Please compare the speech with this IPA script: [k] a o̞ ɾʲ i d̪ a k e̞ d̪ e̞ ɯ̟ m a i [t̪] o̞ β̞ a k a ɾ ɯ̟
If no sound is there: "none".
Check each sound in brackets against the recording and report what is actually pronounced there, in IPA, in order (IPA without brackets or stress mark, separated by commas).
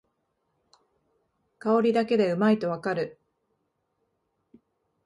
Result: k, t̪